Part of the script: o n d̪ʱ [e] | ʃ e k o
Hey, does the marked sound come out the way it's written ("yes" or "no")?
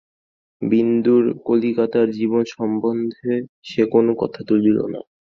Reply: yes